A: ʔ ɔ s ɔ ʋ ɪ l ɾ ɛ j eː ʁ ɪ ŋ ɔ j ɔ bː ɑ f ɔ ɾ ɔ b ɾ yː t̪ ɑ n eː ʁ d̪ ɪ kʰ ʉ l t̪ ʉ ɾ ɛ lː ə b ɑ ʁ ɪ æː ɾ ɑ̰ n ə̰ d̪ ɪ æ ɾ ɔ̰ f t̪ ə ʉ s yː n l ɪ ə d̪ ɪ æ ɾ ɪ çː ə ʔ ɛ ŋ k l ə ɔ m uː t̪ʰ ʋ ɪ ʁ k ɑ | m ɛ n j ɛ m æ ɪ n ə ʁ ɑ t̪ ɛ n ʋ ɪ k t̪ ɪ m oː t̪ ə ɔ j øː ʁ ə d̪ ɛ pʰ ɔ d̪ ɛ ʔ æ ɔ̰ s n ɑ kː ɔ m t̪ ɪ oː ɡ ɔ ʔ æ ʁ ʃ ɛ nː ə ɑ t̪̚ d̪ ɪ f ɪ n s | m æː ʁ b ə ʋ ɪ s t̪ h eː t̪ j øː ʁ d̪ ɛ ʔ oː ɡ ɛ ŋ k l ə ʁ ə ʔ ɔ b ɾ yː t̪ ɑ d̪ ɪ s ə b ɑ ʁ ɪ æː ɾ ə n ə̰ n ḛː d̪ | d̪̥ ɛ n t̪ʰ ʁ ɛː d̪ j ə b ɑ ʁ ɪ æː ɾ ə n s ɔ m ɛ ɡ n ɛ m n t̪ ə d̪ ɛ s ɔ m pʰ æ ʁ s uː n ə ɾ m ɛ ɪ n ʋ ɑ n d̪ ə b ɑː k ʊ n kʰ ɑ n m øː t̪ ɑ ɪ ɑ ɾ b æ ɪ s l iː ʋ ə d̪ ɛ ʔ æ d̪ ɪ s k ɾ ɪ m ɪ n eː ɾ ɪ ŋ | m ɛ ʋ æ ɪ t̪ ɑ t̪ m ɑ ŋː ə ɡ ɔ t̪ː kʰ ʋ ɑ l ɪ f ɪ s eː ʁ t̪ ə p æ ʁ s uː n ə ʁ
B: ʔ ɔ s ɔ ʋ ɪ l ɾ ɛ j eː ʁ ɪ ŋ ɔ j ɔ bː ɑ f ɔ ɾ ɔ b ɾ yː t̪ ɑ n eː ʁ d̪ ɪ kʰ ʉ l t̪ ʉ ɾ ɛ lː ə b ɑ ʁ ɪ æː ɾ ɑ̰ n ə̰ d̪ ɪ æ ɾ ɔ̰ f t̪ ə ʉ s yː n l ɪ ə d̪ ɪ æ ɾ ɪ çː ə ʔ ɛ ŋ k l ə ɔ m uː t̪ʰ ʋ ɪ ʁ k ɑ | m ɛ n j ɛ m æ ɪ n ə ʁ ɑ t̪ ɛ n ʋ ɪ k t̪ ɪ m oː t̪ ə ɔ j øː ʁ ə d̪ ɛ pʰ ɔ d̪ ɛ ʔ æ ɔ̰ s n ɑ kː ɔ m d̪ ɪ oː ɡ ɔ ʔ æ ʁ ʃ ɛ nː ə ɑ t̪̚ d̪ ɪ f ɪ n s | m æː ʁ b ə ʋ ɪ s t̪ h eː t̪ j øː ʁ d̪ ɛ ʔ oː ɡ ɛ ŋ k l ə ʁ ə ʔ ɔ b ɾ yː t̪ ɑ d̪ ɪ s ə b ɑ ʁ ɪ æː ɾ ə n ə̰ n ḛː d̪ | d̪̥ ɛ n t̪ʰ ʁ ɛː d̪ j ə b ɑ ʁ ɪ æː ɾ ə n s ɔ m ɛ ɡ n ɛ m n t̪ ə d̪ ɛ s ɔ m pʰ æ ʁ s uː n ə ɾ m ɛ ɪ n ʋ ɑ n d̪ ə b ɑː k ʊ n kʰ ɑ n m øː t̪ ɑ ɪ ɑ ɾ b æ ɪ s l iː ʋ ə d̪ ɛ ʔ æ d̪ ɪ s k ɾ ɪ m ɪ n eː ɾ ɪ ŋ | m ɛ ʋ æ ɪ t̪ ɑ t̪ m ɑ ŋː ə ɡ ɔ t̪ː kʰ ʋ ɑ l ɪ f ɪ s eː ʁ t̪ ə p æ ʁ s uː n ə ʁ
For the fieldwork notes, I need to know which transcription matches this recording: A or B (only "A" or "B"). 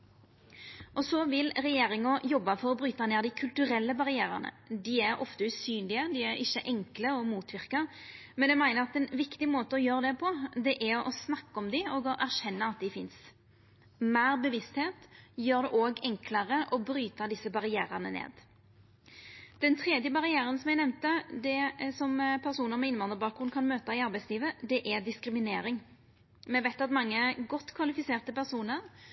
B